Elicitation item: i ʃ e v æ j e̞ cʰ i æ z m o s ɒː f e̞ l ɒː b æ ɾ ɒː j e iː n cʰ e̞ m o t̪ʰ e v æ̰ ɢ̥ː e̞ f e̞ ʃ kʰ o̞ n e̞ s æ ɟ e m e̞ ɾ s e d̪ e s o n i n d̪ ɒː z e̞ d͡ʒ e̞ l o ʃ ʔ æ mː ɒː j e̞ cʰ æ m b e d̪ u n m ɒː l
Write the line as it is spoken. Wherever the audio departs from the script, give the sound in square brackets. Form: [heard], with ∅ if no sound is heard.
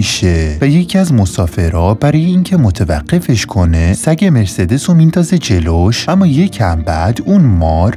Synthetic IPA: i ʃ e v æ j e̞ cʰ i æ z m o s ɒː f e̞ [ɾ] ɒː b æ ɾ ɒː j e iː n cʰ e̞ m o t̪ʰ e v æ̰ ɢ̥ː e̞ f e̞ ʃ kʰ o̞ n e̞ s æ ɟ e m e̞ ɾ s e d̪ e s o [m] i n d̪ ɒː z e̞ d͡ʒ e̞ l o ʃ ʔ æ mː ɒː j e̞ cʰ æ m b [æ] d̪ u n m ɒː [ɾ]